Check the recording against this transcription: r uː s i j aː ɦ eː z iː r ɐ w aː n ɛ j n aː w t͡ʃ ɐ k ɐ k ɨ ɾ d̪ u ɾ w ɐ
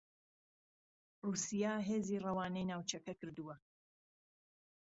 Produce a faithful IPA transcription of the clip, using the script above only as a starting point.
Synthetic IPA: r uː s i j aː ɦ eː z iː r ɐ w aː n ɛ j n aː w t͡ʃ ɐ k ɐ k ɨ ɾ d̪ u w ɐ